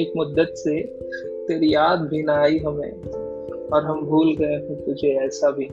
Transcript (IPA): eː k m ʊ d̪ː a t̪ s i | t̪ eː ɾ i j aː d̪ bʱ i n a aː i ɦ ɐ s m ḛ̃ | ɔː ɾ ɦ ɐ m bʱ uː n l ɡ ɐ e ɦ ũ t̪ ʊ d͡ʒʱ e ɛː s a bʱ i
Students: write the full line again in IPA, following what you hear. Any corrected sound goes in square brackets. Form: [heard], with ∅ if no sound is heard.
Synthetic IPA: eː k m ʊ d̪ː [ə] t̪ s [e] | t̪ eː ɾ i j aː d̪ bʱ i n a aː i ɦ ɐ [∅] m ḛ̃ | ɔː ɾ ɦ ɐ m bʱ uː [∅] l ɡ ɐ e ɦ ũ t̪ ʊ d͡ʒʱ e ɛː s a bʱ i